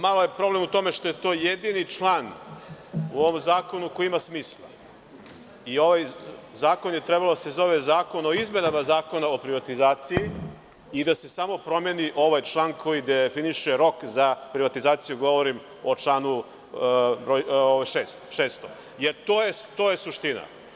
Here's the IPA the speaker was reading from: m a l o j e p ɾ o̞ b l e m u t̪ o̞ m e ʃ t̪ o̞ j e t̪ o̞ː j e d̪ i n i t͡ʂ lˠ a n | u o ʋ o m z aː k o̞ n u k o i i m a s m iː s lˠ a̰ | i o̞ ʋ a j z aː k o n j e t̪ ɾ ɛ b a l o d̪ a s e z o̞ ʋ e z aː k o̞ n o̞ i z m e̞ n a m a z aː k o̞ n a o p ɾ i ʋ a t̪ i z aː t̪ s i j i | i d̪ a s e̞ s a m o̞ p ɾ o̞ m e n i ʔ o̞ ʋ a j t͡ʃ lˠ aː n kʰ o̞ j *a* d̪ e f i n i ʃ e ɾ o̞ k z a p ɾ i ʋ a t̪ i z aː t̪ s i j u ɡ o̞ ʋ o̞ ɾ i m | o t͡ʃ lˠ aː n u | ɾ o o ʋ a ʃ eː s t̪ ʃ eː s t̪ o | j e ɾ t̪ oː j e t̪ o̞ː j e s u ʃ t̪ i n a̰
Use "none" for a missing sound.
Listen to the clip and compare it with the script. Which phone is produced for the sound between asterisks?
i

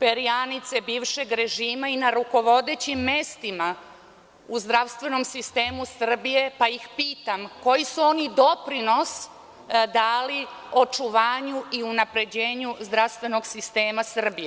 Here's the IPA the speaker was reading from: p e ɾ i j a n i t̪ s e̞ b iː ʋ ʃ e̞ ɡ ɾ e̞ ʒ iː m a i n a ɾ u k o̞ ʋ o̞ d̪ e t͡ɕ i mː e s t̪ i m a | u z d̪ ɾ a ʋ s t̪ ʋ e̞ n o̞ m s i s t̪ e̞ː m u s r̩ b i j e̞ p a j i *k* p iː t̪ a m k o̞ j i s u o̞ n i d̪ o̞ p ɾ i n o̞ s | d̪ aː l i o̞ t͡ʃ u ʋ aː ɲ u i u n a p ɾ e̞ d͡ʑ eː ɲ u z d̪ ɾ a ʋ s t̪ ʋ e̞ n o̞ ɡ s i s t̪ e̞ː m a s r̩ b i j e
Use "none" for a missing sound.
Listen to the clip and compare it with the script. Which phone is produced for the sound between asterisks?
x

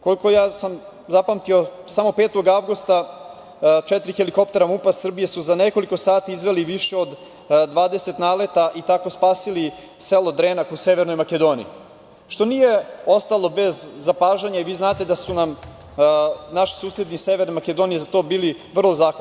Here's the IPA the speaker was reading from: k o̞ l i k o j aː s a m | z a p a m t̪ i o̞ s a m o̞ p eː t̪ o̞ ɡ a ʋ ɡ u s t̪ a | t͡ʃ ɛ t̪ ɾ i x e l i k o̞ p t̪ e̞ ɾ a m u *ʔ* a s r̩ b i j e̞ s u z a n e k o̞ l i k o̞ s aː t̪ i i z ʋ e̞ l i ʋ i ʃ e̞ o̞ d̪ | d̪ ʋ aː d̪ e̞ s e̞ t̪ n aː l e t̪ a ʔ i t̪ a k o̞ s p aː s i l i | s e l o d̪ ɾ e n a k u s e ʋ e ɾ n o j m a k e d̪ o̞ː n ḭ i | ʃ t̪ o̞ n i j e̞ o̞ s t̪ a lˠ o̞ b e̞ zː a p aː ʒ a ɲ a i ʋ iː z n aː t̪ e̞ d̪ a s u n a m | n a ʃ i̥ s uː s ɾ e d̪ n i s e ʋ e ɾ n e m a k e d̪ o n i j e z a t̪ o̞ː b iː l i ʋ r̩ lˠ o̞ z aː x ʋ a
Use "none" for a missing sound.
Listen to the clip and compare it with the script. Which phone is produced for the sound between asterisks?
p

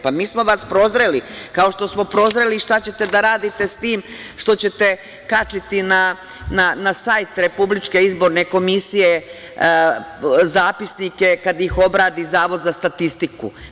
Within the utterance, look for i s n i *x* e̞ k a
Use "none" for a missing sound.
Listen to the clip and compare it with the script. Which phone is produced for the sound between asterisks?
k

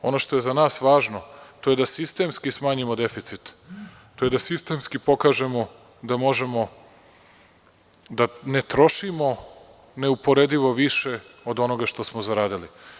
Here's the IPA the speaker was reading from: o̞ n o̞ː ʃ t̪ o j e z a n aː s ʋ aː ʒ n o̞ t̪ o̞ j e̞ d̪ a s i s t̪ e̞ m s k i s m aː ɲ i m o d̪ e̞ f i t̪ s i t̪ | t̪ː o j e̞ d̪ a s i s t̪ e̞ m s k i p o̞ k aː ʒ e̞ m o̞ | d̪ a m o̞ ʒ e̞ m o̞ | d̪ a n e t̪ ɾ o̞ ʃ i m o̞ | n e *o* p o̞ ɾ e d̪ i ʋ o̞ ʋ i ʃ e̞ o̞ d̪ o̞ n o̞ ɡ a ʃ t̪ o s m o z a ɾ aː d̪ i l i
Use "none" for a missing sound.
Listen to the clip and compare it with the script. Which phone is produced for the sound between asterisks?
u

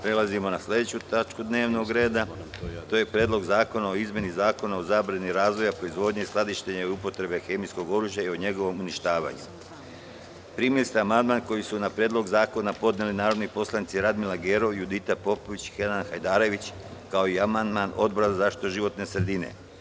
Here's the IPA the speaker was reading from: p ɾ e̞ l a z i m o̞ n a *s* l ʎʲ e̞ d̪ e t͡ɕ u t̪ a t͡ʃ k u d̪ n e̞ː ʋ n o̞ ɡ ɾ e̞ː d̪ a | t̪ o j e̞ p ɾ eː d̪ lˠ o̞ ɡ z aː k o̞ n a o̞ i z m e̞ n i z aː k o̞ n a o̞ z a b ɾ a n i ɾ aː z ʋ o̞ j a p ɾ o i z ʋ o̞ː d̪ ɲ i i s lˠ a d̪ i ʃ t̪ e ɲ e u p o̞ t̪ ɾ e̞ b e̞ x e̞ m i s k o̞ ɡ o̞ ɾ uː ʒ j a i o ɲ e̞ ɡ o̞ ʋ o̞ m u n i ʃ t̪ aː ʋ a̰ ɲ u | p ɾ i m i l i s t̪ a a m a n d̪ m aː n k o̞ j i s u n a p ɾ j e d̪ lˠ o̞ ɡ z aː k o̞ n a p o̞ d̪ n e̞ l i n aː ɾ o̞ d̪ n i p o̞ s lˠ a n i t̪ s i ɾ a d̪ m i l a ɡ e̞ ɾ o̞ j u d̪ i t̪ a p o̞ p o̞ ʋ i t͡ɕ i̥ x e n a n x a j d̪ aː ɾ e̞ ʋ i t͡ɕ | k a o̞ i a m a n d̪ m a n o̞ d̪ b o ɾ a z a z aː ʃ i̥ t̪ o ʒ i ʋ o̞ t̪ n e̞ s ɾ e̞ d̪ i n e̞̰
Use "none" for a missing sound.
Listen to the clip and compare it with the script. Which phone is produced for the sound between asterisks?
s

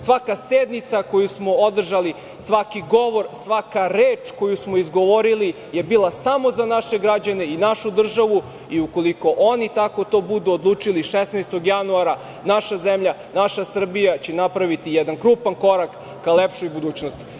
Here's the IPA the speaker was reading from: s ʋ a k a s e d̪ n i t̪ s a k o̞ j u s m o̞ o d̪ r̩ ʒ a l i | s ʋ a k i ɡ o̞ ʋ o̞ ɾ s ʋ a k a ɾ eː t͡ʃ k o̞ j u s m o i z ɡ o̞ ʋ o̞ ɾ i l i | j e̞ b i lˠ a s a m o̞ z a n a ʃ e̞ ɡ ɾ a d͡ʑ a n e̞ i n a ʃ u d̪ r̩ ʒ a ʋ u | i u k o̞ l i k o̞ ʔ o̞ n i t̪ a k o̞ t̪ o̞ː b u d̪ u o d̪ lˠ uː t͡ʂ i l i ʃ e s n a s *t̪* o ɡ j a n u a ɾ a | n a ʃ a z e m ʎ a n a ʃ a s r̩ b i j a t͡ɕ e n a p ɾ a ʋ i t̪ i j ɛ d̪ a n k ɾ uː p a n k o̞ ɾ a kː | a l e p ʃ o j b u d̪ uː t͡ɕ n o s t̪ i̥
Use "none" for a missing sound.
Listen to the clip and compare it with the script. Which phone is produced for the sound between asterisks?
t̪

